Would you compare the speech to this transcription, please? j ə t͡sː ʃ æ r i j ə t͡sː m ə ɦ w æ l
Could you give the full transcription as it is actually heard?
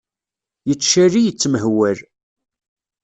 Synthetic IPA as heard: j ə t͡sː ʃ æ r i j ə t͡sː m ə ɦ w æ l